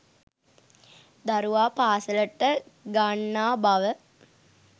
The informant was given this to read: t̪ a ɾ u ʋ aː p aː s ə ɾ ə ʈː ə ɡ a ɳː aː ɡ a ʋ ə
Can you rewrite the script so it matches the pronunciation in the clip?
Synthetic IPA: d̪ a ɾ u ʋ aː p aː s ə l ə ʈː ə ɡ a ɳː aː b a ʋ ə